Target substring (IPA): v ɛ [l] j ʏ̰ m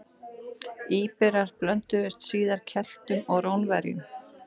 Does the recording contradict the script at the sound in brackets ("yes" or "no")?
yes